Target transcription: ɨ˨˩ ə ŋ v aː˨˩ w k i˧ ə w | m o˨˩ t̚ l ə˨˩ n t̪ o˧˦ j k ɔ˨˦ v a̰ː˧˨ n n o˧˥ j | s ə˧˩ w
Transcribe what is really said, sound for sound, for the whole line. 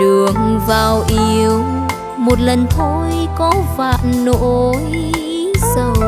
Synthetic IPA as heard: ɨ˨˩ ə ŋ v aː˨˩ w ʔ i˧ ə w | m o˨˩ t̚ l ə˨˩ n t̪ʰ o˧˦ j k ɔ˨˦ v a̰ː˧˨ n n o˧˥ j | s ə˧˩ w